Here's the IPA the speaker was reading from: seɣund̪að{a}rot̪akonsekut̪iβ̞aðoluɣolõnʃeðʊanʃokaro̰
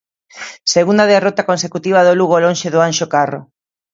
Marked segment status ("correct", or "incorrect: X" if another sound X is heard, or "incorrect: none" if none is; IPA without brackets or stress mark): incorrect: e